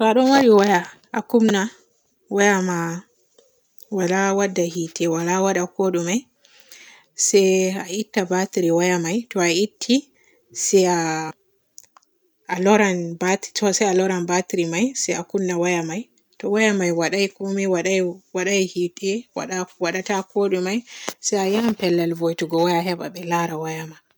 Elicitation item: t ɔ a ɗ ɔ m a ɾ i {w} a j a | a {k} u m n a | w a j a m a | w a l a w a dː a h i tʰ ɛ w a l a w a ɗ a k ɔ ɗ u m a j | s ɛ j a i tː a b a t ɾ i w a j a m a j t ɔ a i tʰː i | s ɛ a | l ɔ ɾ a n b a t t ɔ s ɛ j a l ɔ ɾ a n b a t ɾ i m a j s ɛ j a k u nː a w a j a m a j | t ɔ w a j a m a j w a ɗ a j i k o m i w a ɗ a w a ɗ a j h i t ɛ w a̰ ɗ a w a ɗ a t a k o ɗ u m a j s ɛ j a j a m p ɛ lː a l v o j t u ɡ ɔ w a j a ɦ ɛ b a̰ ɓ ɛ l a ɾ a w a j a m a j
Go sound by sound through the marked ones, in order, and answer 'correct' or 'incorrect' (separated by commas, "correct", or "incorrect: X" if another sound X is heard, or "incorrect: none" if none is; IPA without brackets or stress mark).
correct, correct